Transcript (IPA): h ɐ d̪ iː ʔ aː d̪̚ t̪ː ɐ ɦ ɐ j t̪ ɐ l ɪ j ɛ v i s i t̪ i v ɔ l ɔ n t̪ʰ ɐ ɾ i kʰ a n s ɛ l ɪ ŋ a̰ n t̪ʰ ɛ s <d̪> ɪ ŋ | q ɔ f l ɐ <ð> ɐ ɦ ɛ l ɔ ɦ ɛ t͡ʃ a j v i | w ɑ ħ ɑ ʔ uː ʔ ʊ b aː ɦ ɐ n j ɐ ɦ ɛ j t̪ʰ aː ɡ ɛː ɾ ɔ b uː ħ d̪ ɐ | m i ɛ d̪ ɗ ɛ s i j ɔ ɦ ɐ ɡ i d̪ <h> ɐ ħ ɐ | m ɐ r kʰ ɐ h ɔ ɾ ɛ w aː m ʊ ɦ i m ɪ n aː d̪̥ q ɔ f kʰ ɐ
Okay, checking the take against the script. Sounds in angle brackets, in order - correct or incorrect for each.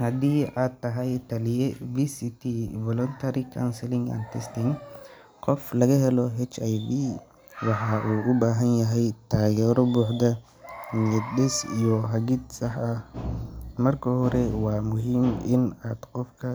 incorrect: t̪, incorrect: ɣ, incorrect: s

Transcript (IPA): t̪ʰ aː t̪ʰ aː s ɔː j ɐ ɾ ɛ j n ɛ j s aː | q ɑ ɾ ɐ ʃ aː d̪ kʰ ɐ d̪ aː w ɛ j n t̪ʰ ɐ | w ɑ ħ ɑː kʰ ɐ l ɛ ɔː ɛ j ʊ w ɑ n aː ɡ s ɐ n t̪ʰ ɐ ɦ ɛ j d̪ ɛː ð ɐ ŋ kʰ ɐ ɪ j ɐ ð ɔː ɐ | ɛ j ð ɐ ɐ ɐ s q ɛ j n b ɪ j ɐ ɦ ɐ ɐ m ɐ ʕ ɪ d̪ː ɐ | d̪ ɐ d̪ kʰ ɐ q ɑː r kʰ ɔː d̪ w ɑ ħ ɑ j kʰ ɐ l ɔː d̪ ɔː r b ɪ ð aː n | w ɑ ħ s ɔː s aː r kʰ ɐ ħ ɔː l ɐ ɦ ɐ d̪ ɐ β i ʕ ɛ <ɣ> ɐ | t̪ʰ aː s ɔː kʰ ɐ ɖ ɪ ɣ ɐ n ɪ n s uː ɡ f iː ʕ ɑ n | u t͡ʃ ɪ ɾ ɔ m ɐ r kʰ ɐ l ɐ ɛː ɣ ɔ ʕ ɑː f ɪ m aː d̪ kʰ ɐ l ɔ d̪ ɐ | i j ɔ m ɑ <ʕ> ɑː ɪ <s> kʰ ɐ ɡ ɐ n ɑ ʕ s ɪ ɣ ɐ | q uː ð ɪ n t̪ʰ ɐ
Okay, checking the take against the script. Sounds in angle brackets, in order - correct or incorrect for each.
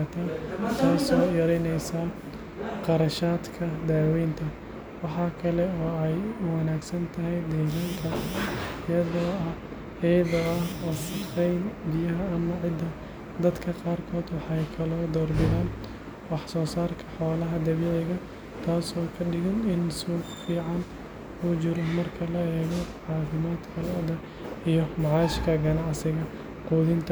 correct, correct, incorrect: ʃ

